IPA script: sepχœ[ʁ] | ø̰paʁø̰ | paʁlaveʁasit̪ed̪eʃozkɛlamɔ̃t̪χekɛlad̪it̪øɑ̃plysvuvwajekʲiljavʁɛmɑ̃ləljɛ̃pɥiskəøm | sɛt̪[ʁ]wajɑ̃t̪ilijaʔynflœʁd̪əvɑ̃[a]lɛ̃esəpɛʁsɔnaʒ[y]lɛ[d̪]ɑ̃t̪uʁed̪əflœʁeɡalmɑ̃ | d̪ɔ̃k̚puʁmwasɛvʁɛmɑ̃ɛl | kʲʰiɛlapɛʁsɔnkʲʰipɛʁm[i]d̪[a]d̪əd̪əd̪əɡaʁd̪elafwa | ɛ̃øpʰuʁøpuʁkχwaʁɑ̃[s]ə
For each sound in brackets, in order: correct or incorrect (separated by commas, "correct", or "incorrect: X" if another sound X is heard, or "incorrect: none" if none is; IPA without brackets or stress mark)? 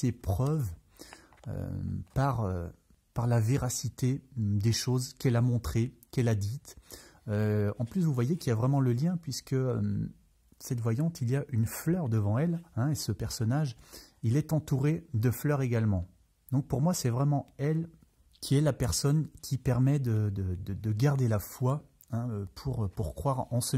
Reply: incorrect: v, incorrect: v, incorrect: ɛ, incorrect: i, incorrect: t̪, incorrect: ɛ, incorrect: ə, correct